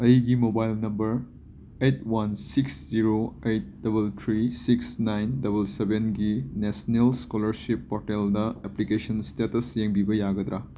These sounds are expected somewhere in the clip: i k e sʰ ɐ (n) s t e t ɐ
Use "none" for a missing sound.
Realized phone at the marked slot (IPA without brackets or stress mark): n